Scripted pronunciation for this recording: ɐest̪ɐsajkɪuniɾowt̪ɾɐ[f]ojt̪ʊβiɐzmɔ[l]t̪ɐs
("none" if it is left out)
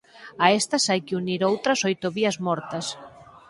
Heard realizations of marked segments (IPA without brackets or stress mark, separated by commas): s, ɾ